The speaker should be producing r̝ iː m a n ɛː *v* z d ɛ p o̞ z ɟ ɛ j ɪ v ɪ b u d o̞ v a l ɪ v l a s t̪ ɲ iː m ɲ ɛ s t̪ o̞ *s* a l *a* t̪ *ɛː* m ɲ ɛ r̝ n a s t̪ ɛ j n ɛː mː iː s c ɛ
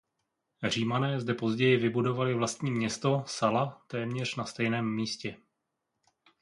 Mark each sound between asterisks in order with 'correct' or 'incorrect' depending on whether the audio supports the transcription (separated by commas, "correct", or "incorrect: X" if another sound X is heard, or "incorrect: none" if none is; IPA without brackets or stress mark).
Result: incorrect: none, correct, correct, correct